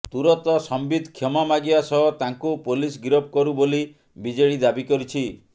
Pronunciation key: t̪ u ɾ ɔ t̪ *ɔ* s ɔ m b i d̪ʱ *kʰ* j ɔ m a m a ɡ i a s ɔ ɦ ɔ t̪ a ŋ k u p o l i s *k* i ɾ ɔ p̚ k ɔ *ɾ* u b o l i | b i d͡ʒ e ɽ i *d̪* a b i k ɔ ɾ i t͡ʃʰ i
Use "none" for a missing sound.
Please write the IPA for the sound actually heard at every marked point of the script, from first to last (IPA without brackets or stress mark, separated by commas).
ɔ, kʰ, ɡ, ɾ, d̪